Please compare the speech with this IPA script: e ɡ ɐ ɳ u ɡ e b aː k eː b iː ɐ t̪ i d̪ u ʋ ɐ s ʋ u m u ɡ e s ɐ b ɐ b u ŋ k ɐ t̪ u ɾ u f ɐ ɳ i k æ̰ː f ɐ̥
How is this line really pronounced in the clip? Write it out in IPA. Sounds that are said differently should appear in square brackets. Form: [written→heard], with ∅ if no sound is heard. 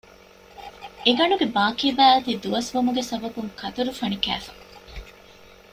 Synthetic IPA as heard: e ɡ ɐ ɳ u ɡ e b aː k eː b [iː→æː] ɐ t̪ i d̪ u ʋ ɐ s ʋ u m u ɡ e s ɐ b ɐ b u ŋ k ɐ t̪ u ɾ u f ɐ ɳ i k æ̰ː f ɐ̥